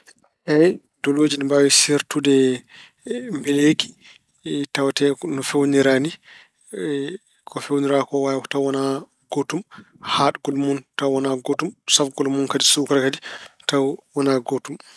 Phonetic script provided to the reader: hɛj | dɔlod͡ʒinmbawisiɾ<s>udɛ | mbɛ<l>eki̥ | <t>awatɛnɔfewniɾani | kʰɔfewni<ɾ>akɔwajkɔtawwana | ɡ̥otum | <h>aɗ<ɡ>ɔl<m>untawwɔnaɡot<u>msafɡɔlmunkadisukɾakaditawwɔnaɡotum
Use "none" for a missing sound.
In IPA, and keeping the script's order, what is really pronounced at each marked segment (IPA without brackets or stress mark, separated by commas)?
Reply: t, l, t, ɾ, h, ɡ, m, u